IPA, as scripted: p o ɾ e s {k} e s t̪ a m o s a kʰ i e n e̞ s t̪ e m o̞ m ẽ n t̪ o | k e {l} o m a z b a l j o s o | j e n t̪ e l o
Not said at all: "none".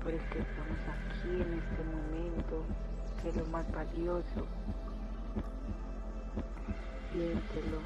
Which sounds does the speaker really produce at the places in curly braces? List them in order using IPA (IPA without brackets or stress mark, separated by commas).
k, l